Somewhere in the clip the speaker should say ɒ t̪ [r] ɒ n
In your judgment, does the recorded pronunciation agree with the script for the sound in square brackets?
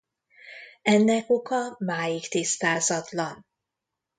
no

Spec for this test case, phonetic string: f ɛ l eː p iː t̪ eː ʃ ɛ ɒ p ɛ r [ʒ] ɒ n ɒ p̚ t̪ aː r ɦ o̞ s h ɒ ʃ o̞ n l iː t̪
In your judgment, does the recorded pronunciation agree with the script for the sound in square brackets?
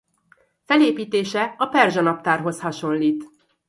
yes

